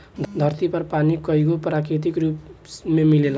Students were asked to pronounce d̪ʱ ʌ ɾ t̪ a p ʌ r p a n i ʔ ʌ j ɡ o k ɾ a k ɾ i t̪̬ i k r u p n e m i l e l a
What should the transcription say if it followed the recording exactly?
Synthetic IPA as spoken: d̪ʱ ʌ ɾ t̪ i p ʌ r p a n i k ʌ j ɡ o p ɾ a k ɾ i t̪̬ i k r u p m e m i l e l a